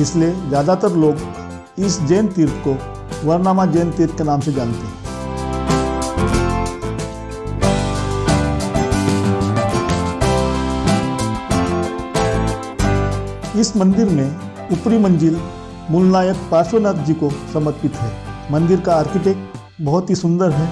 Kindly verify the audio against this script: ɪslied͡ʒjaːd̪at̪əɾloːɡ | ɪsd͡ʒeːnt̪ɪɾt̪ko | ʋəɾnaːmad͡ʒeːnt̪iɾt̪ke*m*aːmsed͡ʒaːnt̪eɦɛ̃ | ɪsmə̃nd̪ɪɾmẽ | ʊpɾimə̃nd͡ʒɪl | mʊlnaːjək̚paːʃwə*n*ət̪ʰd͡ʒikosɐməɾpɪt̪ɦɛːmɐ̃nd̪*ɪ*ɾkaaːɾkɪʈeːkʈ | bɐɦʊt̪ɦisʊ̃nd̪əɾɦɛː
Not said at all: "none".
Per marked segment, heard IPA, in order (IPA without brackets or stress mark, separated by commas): n, n, ɪ